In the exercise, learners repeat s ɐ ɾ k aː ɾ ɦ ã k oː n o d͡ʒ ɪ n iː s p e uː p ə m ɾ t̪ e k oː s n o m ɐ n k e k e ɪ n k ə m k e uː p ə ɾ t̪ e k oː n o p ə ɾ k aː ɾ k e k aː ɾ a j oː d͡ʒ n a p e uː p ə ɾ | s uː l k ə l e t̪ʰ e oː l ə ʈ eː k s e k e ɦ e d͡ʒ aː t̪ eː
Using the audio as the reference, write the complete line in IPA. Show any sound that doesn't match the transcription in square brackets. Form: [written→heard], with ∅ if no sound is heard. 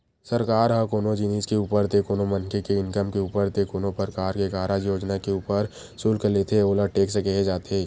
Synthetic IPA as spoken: s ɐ ɾ k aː ɾ ɦ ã k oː n o d͡ʒ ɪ n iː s [p→k] e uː p ə [m→∅] ɾ t̪ e k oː [s→∅] n o m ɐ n k e k e ɪ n k ə m k e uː p ə ɾ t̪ e k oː n o p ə ɾ k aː ɾ k e k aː ɾ a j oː d͡ʒ n a [p→k] e uː p ə ɾ | s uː l k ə l e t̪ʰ e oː l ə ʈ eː k s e k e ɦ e d͡ʒ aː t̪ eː